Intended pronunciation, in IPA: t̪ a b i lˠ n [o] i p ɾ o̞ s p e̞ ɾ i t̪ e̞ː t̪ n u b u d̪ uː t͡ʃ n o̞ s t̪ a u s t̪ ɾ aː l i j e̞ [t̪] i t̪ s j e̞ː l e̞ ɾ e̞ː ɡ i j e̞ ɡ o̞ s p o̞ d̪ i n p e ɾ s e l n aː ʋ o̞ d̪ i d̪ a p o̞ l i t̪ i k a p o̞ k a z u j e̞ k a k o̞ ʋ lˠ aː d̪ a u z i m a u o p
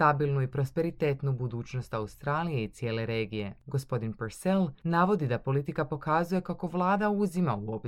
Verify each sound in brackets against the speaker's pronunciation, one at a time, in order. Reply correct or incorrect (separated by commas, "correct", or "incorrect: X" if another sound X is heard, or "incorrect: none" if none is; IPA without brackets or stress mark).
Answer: incorrect: u, incorrect: none